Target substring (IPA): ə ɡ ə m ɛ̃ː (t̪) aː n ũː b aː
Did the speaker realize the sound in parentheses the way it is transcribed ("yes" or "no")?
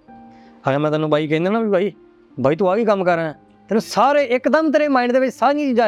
yes